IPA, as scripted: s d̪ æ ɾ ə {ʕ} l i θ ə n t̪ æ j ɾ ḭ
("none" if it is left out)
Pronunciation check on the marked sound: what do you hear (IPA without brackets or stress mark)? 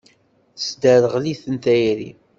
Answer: ʁ